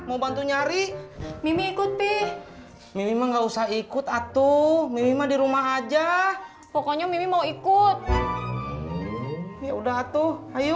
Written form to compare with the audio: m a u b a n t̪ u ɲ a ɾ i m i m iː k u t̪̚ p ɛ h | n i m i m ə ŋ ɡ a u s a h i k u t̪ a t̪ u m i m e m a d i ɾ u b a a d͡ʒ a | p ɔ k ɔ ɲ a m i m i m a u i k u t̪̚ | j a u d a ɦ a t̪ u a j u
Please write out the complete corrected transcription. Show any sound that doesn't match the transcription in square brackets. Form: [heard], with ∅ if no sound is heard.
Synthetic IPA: m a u b a n t̪ u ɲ a ɾ i m i m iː k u t̪̚ p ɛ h | [m] i m i m [a] ŋ ɡ a u s a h i k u t̪ a t̪ u m i m [i] m a d i ɾ u [m] a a d͡ʒ a | p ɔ k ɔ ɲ a m i m i m a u i k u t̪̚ | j a u d a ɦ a t̪ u a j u